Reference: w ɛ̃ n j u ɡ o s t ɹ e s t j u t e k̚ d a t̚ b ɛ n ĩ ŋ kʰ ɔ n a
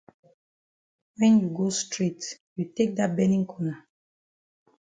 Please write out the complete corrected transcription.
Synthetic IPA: w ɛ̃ n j u ɡ o s t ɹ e t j u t e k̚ d a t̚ b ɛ n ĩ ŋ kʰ ɔ n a